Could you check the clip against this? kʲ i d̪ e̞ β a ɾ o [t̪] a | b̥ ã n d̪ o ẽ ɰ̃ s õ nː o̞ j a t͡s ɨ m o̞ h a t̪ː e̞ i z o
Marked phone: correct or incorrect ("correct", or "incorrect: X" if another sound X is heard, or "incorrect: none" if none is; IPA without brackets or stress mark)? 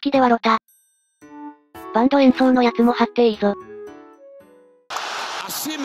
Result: correct